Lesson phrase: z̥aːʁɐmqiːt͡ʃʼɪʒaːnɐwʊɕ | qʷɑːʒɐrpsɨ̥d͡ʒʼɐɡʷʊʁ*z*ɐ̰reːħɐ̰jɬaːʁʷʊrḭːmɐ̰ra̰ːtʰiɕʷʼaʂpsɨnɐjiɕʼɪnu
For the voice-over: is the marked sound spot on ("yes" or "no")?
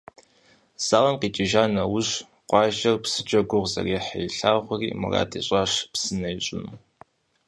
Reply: yes